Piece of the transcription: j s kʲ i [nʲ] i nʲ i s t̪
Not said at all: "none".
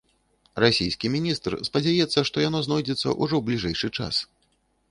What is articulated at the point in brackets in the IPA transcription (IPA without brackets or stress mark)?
mʲ